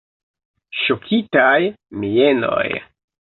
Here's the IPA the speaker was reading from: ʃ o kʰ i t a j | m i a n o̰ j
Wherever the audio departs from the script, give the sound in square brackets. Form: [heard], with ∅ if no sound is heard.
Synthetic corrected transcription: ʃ o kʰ i t a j | m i [e] n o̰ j